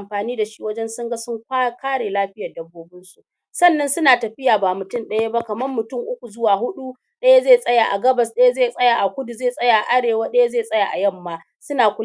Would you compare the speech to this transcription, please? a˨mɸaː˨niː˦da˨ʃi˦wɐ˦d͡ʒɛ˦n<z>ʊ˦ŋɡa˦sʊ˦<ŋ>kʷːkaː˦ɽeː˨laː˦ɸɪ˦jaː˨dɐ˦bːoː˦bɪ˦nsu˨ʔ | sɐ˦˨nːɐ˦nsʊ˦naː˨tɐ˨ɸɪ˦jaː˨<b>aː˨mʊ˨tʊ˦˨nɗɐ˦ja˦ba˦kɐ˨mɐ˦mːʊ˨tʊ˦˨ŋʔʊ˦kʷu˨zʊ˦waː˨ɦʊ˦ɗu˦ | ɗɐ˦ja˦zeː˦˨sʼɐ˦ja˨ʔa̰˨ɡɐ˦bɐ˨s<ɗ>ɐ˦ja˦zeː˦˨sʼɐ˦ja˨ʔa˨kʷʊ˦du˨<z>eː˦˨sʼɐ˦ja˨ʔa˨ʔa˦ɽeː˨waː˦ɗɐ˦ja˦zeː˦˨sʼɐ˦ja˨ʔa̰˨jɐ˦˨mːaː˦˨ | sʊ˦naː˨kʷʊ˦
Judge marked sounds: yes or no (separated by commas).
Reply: no, yes, yes, yes, yes